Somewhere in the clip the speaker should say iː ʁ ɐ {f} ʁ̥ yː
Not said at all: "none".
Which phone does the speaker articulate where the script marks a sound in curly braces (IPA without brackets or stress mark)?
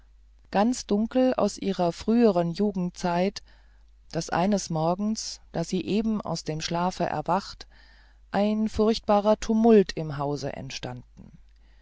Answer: f